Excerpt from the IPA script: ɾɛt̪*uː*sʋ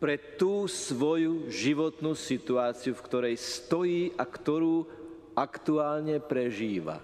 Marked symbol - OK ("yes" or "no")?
yes